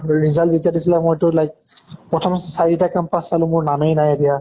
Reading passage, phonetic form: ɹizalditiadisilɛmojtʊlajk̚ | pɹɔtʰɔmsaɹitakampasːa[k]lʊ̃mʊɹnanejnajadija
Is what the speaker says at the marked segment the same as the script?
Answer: no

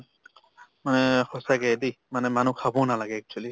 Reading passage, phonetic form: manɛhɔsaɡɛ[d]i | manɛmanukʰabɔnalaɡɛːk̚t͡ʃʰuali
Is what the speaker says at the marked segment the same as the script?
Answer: yes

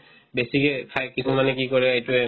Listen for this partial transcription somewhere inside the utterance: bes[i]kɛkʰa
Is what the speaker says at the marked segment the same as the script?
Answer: yes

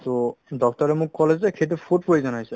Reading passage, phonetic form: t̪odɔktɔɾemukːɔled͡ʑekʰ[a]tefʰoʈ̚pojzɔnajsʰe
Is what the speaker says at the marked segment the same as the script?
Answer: no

